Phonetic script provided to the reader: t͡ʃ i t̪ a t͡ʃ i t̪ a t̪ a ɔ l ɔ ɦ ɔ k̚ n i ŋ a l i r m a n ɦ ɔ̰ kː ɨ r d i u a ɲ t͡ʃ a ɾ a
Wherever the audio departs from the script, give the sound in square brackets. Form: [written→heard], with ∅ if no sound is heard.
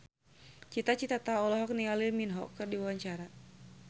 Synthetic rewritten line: t͡ʃ i t̪ a t͡ʃ i t̪ a t̪ a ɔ l ɔ ɦ ɔ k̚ n i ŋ a l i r m [a→i] n ɦ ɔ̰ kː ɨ r d i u a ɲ t͡ʃ a ɾ a

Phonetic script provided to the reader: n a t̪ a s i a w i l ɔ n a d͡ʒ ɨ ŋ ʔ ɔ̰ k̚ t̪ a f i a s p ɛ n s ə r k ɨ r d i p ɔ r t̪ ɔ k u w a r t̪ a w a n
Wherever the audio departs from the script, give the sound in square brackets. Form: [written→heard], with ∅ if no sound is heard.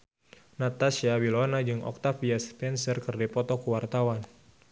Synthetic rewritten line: n a t̪ a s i a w i l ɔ n a d͡ʒ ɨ ŋ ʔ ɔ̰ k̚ t̪ a f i a s p ɛ n s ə r k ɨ r d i p ɔ [r→∅] t̪ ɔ k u w a r t̪ a w a n

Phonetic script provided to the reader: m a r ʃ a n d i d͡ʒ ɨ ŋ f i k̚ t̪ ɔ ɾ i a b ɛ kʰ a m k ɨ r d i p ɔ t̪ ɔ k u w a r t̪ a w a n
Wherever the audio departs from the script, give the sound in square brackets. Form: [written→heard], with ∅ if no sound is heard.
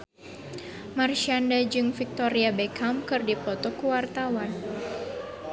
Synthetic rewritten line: m a r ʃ a n d [i→a] d͡ʒ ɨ ŋ f i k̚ t̪ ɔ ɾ i a b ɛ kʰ a m k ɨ r d i p ɔ t̪ ɔ k u w a r t̪ a w a n

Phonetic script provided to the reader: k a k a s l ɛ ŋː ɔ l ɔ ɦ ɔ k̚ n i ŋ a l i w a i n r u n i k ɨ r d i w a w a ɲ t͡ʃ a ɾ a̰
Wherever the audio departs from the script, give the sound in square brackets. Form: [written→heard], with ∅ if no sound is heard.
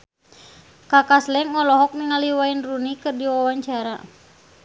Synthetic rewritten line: k a k a s l ɛ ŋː ɔ l ɔ ɦ ɔ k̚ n i ŋ a l i w a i n r u n i k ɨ r d i w a w a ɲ t͡ʃ a ɾ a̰

